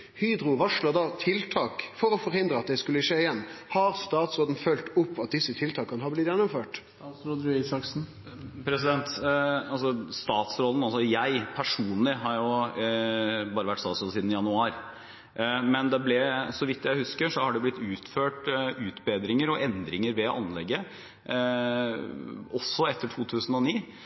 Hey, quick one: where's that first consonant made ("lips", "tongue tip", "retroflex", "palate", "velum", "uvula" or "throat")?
throat